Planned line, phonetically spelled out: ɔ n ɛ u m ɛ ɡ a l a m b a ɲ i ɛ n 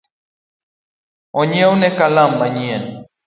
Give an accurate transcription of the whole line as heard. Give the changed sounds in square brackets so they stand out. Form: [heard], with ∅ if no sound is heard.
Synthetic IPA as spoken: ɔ [ɲ] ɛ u [n] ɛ [k] a l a m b a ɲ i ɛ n

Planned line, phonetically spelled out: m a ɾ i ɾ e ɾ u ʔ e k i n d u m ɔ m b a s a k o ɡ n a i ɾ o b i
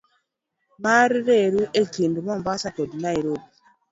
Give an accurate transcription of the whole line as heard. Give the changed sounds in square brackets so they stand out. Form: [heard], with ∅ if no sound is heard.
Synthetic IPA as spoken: m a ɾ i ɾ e ɾ u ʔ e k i n d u m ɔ m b a s a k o [d] n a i ɾ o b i

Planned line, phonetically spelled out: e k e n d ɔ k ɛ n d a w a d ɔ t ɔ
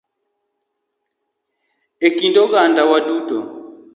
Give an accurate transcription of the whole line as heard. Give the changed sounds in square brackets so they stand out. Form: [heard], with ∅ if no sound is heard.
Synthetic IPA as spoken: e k [i] n d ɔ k [a] n d a w a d [u] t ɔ

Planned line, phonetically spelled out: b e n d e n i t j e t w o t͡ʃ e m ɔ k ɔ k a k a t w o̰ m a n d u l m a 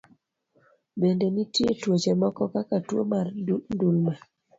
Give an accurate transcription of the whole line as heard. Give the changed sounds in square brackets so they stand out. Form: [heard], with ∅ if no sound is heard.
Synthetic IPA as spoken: b e n d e n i t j e t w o t͡ʃ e m ɔ k ɔ k a k a t w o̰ m a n d u l m a

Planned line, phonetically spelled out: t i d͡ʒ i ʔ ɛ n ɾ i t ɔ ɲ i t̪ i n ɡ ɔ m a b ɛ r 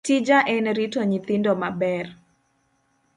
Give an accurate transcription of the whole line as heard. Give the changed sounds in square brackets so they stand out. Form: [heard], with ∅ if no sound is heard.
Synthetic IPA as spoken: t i d͡ʒ [a] ʔ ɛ n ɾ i t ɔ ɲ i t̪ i n [d] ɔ m a b ɛ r

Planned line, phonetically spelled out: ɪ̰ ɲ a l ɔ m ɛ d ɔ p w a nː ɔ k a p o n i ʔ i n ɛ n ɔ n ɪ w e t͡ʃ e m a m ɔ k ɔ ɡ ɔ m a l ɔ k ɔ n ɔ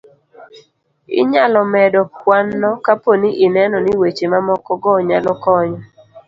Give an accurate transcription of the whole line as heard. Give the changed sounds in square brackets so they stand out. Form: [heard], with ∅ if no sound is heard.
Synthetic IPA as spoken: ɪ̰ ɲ a l ɔ m ɛ d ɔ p w a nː ɔ k a p o n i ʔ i n ɛ n ɔ n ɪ w e t͡ʃ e m a m ɔ k ɔ ɡ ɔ [ɲ] a l ɔ k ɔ [ɲ] ɔ

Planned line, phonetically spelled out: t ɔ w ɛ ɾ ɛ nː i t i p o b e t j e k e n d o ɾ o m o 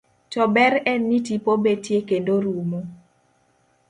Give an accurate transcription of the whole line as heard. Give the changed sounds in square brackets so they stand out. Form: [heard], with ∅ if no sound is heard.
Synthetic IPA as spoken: t ɔ [b] ɛ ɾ ɛ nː i t i p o b e t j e k e n d o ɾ [u] m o

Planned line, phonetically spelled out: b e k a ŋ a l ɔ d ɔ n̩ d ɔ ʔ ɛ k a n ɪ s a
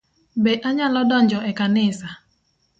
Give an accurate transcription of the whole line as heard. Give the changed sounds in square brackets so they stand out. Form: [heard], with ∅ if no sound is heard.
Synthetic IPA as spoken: b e [ʔ] a [ɲ] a l ɔ d ɔ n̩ [d͡ʒ] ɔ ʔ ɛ k a n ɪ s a

